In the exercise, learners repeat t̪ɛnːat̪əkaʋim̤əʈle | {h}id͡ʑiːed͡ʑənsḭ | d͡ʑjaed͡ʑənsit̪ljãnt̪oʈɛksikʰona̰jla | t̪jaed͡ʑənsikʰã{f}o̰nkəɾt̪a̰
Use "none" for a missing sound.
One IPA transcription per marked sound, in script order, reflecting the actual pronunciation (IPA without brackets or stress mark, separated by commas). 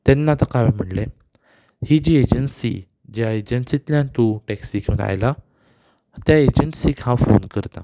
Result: h, f